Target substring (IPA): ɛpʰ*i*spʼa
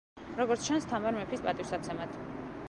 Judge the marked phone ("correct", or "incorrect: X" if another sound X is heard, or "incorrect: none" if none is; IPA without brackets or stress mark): correct